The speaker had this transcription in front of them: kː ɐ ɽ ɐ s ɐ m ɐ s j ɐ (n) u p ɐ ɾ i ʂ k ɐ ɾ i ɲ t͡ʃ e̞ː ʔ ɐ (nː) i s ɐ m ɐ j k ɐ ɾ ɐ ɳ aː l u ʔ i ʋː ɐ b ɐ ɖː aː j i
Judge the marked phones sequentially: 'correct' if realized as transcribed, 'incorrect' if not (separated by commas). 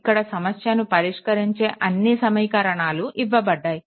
correct, correct